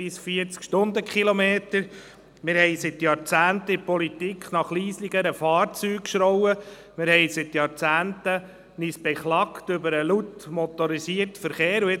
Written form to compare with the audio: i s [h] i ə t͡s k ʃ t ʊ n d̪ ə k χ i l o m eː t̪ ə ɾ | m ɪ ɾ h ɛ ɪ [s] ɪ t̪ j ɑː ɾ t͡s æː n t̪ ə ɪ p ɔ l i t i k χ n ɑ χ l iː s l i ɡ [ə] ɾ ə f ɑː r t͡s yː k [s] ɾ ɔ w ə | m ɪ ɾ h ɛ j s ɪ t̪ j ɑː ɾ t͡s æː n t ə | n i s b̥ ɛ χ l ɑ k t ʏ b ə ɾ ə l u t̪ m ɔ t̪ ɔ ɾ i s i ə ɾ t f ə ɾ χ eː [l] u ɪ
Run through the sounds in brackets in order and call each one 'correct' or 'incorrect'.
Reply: incorrect: f, correct, correct, incorrect: ʃ, incorrect: ɾ

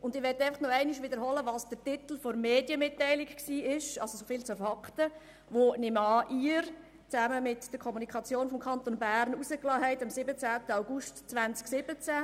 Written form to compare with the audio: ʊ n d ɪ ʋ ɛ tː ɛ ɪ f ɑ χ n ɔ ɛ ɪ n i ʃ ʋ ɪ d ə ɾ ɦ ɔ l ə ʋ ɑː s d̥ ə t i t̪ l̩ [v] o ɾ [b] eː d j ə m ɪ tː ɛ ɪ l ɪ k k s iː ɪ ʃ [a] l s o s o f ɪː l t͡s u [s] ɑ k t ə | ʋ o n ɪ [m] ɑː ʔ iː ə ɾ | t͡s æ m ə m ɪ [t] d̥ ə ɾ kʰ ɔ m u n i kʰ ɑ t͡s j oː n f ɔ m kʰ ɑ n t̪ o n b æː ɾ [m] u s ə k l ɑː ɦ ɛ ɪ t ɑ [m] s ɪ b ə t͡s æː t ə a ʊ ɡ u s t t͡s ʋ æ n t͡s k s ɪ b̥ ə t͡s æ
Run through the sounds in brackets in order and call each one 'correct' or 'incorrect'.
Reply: incorrect: f, incorrect: m, incorrect: ɑ, incorrect: f, correct, correct, incorrect: n, correct

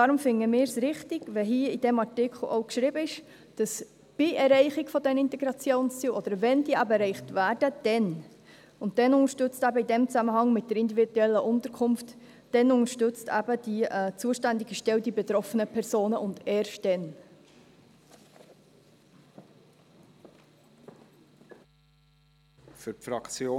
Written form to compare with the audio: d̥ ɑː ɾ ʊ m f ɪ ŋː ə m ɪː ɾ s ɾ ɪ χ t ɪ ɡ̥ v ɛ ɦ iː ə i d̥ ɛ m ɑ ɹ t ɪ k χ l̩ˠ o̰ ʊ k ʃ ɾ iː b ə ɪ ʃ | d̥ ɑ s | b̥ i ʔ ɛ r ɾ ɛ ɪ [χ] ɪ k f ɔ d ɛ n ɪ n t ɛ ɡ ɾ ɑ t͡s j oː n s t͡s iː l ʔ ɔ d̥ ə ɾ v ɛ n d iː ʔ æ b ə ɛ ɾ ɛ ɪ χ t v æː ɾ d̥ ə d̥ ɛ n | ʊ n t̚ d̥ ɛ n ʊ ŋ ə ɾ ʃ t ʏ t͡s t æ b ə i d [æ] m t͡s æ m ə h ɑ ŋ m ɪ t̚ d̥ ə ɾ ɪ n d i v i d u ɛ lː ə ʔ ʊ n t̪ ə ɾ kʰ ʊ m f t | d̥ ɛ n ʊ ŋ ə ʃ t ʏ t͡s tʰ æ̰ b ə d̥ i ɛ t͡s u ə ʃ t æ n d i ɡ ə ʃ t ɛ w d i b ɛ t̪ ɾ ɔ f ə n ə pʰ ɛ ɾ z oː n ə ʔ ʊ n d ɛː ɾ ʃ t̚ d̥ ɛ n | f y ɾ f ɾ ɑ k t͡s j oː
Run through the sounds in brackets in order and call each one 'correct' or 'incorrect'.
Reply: correct, incorrect: ɛ

